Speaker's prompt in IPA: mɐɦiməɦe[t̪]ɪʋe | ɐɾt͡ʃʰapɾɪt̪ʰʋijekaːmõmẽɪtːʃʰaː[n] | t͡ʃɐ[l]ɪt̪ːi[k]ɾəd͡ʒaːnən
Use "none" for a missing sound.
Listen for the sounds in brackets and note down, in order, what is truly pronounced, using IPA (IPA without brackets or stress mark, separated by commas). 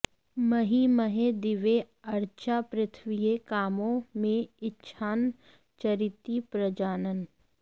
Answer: d̪, n, ɾ, p